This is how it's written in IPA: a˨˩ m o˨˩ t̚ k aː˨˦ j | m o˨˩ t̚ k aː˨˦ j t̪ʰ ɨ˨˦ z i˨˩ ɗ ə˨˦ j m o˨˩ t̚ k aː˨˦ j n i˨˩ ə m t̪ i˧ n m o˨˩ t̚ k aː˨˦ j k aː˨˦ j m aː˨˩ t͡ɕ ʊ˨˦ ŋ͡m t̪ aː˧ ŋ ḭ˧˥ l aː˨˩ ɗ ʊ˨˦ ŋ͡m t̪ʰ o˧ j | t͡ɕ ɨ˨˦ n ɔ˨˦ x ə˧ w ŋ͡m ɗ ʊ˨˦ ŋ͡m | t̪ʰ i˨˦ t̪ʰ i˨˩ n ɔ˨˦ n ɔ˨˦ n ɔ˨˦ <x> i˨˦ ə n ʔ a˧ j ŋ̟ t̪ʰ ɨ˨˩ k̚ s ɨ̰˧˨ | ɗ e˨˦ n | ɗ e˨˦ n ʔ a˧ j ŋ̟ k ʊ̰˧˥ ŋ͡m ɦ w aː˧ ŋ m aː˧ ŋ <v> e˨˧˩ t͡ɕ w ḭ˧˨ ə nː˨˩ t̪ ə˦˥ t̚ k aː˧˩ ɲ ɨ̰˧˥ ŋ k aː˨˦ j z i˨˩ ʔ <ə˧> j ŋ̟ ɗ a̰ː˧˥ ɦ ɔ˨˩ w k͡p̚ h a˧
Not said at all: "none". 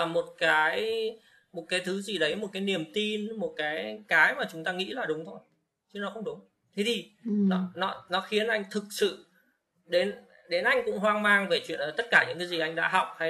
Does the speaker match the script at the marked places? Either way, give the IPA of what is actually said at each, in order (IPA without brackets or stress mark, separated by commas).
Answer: x, v, a˧